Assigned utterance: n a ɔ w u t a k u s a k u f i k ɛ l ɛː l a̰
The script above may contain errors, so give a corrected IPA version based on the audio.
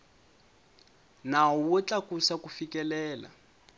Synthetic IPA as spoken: n a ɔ w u t͡ɬ a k u s a k u f i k ɛ l ɛː l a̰

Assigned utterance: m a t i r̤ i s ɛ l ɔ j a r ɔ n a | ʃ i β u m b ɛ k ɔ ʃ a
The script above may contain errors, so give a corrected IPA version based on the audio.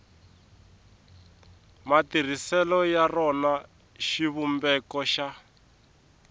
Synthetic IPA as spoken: m a t i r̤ i s ɛ l ɔ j a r ɔ n a | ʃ i β u m b ɛ k ɔ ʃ a

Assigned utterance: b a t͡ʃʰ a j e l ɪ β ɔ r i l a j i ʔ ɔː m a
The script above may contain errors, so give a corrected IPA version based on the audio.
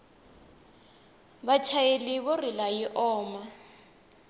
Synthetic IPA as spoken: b a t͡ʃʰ a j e l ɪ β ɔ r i l a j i ʔ ɔː m a

